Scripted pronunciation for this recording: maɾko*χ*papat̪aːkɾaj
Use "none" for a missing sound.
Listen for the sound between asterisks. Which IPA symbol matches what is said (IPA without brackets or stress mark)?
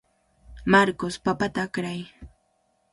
s